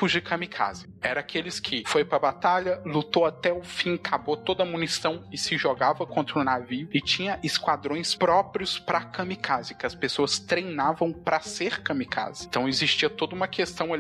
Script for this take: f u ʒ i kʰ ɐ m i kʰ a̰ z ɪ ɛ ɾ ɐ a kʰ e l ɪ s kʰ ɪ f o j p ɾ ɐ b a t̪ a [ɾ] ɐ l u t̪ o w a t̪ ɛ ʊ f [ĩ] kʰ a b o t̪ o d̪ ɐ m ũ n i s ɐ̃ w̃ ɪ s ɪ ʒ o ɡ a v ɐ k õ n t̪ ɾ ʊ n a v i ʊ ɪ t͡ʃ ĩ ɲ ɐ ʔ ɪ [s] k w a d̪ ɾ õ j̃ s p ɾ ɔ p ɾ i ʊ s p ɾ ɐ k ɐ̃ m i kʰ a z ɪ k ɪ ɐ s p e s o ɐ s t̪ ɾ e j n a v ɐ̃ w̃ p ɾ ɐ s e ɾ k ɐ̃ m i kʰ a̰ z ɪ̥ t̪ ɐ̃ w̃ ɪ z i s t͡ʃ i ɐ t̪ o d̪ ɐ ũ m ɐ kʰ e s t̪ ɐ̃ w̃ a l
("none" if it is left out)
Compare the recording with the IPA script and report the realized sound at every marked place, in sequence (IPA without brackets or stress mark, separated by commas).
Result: ʎ, ĩ, s